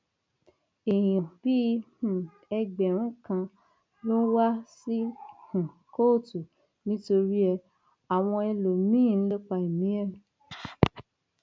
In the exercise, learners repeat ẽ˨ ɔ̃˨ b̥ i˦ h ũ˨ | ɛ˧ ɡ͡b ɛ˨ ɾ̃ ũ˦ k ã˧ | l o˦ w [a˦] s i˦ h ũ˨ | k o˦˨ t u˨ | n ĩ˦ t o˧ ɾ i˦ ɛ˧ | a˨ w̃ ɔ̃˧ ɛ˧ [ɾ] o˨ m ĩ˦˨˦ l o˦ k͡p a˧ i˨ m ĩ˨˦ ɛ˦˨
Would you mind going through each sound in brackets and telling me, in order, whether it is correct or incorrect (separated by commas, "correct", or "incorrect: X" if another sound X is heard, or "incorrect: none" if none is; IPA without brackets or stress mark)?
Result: correct, incorrect: l